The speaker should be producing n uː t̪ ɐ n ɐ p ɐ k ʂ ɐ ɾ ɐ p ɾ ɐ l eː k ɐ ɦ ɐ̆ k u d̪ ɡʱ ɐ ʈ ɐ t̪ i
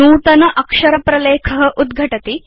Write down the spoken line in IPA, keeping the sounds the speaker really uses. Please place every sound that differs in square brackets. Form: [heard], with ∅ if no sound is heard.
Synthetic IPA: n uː t̪ ɐ n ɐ [ʔ] ɐ k ʂ ɐ ɾ ɐ p ɾ ɐ l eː [kʰ] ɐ ɦ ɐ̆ [ʔ] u d̪ ɡʱ ɐ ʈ ɐ t̪ i

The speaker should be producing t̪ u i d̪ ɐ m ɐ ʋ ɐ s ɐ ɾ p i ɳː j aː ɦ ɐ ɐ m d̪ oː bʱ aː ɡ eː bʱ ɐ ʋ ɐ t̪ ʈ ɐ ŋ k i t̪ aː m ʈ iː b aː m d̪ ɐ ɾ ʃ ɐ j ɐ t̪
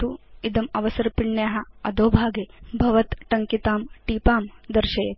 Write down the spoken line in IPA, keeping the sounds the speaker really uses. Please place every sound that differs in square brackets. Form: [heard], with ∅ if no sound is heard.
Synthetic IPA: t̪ u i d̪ ɐ m ɐ ʋ ɐ s ɐ ɾ p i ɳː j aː ɦ ɐ ɐ [∅] d̪ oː bʱ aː ɡ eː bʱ ɐ ʋ ɐ t̪ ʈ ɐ ŋ k i t̪ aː m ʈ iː [p] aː m d̪ ɐ ɾ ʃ ɐ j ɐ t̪

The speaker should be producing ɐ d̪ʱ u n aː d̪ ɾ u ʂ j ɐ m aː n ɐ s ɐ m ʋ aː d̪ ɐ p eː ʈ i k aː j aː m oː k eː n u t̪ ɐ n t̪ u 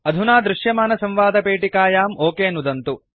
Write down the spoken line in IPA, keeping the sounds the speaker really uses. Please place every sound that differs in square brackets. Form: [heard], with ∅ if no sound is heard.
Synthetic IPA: ɐ d̪ʱ u n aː d̪ ɾ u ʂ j ɐ m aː n ɐ s ɐ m ʋ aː d̪ ɐ p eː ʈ i k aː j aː m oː k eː n u [d̪] ɐ n t̪ u

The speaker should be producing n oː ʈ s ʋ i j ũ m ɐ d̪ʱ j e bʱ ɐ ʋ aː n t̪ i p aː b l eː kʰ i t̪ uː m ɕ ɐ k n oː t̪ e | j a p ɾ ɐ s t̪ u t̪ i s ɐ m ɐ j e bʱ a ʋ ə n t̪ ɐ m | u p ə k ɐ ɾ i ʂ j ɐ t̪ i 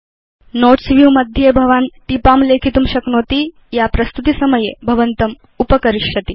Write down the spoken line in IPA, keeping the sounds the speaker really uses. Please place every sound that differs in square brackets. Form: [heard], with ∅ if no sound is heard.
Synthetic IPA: n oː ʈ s ʋ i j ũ m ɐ d̪ʱ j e bʱ ɐ ʋ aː n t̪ i p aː [m] l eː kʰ i t̪ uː m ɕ ɐ k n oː t̪ [i] | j a p ɾ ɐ s t̪ u t̪ i s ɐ m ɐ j e bʱ [ɐ] ʋ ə n t̪ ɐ m | u p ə k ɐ ɾ i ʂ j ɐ t̪ i

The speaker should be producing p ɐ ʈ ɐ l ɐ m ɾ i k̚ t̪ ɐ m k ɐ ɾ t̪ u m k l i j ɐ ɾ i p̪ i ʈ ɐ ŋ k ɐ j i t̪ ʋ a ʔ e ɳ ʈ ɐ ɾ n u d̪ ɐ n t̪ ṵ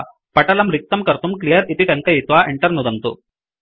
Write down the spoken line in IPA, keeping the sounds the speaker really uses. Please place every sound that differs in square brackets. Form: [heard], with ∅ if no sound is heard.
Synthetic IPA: p ɐ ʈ ɐ l ɐ m ɾ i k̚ t̪ ɐ m k ɐ ɾ t̪ u m k l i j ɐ ɾ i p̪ i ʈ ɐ ŋ k ɐ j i t̪ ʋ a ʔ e ɳ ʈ ɐ ɾ n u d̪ ɐ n t̪ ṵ

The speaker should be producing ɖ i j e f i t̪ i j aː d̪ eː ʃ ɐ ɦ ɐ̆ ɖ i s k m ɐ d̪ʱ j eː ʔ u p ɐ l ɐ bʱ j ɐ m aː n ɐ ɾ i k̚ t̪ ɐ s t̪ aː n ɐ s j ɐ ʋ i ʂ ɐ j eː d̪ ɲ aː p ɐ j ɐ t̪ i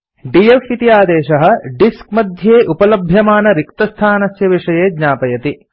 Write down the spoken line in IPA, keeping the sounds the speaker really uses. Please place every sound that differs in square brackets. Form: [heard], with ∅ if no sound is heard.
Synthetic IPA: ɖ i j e f i t̪ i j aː d̪ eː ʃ ɐ ɦ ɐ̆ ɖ i s k m ɐ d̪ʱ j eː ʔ u p ɐ l ɐ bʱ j ɐ m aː n ɐ ɾ i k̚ t̪ ɐ s [t̪ʰ] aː n ɐ s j ɐ ʋ i ʂ ɐ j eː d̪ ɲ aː p ɐ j ɐ t̪ i

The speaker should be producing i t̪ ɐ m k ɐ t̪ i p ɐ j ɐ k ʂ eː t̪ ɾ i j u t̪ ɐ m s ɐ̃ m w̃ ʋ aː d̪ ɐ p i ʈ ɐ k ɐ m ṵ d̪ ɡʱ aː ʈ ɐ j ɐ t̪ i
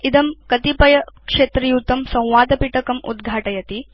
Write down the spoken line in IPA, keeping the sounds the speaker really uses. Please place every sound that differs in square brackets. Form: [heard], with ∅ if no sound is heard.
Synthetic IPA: i [d̪] ɐ m k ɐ t̪ i p ɐ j ɐ k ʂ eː t̪ ɾ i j u t̪ ɐ m s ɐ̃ [∅] w̃ ʋ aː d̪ ɐ p i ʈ ɐ k ɐ m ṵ d̪ ɡʱ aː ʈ ɐ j ɐ t̪ i

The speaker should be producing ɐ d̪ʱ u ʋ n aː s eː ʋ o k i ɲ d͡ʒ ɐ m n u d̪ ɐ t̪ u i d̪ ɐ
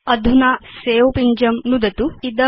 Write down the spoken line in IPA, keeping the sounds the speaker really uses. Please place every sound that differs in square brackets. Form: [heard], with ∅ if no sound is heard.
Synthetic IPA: ɐ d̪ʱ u [∅] n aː s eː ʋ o [p] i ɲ d͡ʒ ɐ m n u d̪ ɐ t̪ u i d̪ ɐ

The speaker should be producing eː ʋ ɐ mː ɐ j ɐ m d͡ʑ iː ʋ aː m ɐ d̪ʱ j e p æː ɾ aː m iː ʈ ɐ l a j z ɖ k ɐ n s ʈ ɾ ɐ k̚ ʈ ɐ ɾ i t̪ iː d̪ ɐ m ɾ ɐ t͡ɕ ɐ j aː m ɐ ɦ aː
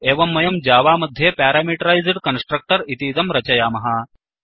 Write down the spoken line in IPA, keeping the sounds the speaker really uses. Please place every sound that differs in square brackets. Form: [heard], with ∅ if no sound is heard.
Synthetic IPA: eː ʋ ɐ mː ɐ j ɐ m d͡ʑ [aː] ʋ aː m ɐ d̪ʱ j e p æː ɾ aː m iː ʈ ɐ [ɾ] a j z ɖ k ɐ n s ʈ ɾ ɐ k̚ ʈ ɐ ɾ i t̪ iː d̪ ɐ m ɾ ɐ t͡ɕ ɐ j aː m ɐ ɦ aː

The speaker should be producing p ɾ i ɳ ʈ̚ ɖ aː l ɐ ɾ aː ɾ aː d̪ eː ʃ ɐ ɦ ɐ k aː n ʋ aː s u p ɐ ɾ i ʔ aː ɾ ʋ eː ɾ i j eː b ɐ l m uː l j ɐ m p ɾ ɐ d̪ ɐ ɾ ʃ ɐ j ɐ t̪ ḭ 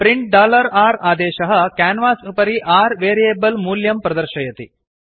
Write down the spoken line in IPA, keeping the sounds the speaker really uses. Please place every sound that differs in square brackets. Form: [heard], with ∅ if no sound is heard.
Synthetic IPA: p ɾ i ɳ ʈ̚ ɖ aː l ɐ ɾ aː ɾ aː d̪ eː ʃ ɐ ɦ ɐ k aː n ʋ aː s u p ɐ ɾ i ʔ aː ɾ ʋ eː ɾ i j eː b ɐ l m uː l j ɐ m p ɾ ɐ d̪ ɐ ɾ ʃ ɐ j ɐ t̪ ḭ

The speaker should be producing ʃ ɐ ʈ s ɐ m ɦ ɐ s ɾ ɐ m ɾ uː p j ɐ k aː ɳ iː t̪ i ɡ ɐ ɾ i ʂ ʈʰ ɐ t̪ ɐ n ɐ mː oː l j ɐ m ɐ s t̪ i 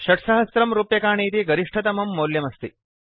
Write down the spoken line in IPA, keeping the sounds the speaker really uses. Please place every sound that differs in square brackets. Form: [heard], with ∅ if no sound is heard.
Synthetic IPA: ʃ ɐ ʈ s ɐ [∅] ɦ ɐ s ɾ ɐ m ɾ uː p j ɐ k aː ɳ iː t̪ i ɡ ɐ ɾ i ʂ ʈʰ ɐ t̪ ɐ [m] ɐ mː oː l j ɐ m ɐ s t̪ i

